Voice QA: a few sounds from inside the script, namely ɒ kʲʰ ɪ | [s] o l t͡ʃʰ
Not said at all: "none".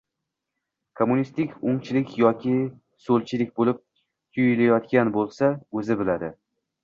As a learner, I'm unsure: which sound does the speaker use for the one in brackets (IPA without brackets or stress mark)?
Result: s